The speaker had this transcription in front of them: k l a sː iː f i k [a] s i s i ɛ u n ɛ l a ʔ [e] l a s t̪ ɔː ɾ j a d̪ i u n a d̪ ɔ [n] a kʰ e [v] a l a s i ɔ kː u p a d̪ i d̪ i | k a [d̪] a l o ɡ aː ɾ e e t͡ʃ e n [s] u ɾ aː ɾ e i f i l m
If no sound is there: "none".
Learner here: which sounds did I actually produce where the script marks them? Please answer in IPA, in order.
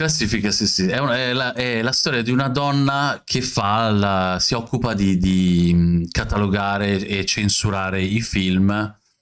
a, ɛ, nː, f, t̪, s

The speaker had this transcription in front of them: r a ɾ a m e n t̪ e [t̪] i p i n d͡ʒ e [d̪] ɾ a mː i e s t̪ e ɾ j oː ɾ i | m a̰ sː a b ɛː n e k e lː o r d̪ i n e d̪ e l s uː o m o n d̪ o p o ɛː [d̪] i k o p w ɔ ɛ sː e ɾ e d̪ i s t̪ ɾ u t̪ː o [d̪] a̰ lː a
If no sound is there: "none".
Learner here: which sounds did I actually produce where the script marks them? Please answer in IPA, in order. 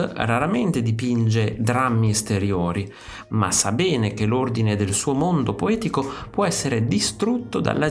d̪, d̪, t̪, d̪

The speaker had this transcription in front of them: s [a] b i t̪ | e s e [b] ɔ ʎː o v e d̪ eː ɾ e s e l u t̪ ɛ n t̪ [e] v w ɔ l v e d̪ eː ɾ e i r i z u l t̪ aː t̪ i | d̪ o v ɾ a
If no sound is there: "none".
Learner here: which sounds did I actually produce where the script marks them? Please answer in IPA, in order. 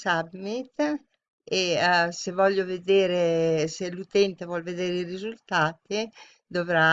a, v, e

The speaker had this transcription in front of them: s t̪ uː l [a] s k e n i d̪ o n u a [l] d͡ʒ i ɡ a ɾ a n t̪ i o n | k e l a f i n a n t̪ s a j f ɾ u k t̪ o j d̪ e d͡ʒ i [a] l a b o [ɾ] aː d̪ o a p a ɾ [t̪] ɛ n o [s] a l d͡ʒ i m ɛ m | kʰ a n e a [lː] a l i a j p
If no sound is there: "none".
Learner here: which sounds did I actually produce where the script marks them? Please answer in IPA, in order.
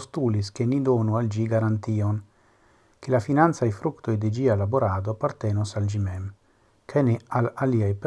i, l, a, ɾ, t̪, s, l

